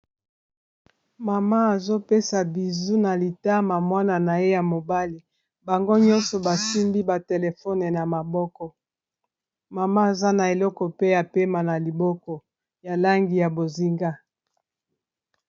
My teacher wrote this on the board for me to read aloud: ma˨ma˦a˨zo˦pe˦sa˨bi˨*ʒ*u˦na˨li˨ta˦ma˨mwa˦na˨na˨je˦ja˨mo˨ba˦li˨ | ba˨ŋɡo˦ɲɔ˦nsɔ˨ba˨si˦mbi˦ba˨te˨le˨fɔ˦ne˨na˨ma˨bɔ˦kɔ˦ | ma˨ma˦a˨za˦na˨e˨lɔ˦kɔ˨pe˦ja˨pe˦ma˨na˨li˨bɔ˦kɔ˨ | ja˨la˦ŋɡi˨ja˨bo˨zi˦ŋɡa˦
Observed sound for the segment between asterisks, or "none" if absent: z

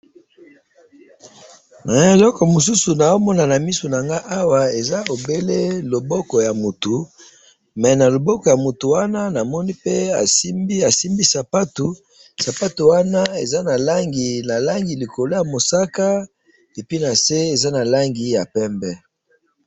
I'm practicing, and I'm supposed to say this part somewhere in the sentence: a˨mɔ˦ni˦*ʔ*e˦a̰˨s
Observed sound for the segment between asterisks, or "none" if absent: p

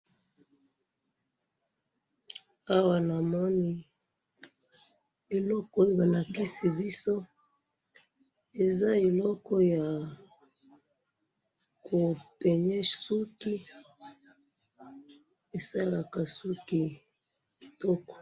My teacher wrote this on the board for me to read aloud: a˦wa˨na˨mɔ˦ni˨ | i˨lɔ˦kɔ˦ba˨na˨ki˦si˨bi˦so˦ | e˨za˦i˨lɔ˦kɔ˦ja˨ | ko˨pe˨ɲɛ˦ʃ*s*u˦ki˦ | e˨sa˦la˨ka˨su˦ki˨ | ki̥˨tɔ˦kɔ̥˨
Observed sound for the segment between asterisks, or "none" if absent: s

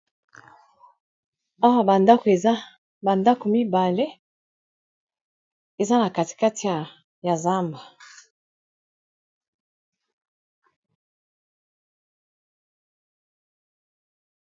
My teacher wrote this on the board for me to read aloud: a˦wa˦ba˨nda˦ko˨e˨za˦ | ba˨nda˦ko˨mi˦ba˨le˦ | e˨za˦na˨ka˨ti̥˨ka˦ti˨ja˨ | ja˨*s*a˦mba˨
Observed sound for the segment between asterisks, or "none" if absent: z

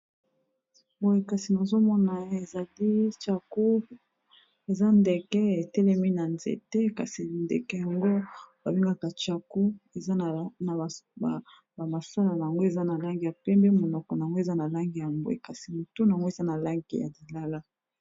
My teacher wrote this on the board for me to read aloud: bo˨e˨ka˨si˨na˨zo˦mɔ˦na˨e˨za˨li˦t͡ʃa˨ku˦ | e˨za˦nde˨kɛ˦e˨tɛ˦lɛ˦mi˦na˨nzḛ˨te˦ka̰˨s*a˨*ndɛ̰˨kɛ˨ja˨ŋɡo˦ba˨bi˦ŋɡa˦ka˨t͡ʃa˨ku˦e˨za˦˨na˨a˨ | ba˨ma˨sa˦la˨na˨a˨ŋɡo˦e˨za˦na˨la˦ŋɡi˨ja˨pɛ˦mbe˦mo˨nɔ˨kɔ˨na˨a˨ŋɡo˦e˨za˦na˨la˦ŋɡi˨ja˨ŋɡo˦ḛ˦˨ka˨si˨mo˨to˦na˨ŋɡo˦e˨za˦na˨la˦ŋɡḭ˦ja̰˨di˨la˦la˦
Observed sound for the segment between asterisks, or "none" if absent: i˨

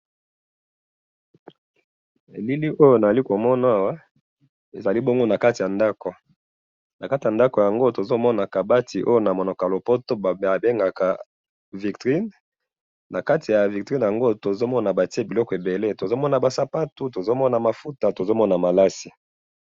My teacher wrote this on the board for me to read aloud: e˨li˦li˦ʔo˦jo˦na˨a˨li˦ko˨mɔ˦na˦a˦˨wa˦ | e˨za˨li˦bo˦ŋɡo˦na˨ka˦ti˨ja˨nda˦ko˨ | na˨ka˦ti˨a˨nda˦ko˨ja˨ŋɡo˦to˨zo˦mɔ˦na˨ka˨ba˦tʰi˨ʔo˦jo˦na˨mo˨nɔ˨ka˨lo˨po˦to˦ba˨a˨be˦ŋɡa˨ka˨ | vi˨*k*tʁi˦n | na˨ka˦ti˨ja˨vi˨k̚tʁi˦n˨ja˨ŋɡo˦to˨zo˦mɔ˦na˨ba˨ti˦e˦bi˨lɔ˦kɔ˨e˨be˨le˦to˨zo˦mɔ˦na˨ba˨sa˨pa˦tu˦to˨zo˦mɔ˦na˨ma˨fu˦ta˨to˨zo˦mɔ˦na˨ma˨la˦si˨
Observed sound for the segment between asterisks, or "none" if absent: k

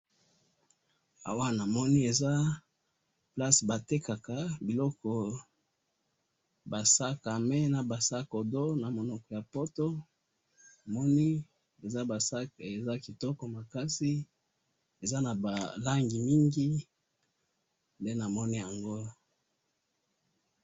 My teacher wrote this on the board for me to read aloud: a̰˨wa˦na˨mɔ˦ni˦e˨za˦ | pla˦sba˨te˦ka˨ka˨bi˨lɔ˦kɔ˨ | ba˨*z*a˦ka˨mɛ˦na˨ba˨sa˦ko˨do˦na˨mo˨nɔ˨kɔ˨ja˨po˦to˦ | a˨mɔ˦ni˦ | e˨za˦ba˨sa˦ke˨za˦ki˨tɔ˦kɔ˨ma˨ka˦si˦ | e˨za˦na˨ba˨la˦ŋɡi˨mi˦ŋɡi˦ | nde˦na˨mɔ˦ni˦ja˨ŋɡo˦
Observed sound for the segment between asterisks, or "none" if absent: s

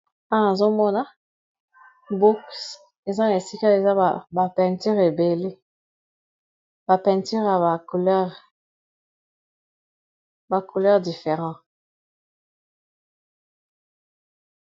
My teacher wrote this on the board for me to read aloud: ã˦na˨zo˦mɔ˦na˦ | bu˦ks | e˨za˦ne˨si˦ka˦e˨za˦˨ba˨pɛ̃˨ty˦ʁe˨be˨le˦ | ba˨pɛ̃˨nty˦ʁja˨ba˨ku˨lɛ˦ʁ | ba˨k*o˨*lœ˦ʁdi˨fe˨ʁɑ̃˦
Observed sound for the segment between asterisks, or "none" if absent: u˨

